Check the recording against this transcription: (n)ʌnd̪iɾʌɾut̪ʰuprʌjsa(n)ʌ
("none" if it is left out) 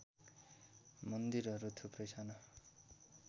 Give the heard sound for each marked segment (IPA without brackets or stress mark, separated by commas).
m, n